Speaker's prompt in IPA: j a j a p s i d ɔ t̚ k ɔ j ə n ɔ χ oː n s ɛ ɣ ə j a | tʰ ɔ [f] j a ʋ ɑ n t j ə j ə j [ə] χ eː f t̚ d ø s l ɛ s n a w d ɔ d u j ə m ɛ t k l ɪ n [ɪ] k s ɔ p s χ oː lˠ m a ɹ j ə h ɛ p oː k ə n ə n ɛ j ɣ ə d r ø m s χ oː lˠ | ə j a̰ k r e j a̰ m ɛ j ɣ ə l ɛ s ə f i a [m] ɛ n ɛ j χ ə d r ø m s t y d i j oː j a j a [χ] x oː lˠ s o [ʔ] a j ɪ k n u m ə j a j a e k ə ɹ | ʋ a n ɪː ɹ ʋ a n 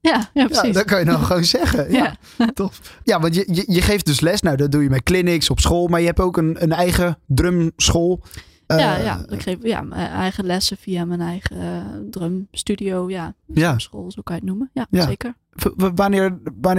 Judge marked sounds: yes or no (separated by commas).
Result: yes, yes, yes, yes, no, no